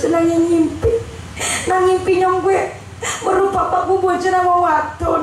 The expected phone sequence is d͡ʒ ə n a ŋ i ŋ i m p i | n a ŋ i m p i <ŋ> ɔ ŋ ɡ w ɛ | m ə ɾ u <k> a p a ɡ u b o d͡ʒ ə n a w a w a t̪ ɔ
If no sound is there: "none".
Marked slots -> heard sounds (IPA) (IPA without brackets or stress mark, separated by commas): ɲ, p